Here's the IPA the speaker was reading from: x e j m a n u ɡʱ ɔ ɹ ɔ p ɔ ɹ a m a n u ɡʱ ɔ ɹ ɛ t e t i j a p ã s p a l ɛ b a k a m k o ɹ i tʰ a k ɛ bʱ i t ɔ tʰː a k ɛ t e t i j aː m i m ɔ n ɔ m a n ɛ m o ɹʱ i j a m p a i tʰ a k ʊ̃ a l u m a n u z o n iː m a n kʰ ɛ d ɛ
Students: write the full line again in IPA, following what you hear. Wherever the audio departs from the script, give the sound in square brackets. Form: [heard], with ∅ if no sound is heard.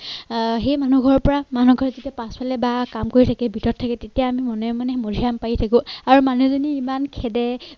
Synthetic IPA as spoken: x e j m a n u ɡʱ ɔ ɹ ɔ p ɔ ɹ a m a n u ɡʱ ɔ ɹ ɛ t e t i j a p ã s p a l ɛ b a k a m k o ɹ i tʰ a k ɛ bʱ i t ɔ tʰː a k ɛ t e t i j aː m i m ɔ n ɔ m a n ɛ m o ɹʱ i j a m p a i tʰ a k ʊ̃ a [ɹ] u m a n u z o n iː m a n kʰ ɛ d ɛ